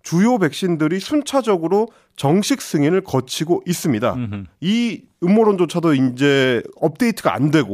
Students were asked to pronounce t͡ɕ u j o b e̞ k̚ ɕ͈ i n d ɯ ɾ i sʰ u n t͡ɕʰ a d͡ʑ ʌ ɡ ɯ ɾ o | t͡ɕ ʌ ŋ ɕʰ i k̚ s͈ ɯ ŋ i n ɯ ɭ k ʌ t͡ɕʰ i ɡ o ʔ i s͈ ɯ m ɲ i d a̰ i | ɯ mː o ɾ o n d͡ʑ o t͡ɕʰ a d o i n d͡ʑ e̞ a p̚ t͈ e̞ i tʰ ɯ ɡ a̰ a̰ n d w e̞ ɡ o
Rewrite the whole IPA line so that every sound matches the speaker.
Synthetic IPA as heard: t͡ɕ u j o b e̞ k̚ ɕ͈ i n d ɯ ɾ i sʰ u n t͡ɕʰ a d͡ʑ ʌ ɡ ɯ ɾ o | t͡ɕ ʌ ŋ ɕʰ i k̚ s͈ ɯ ŋ i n ɯ ɭ k ʌ t͡ɕʰ i ɡ o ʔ i s͈ ɯ m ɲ i d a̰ i | ɯ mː o ɾ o n d͡ʑ o t͡ɕʰ a d o i n d͡ʑ e̞ ʌ p̚ t͈ e̞ i tʰ ɯ ɡ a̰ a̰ n d w e̞ ɡ o